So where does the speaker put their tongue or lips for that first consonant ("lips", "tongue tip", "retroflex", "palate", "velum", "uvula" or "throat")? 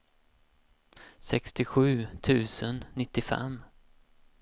tongue tip